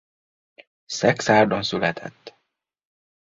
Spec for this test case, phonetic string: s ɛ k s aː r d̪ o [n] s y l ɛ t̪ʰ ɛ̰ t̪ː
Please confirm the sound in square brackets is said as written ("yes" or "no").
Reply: yes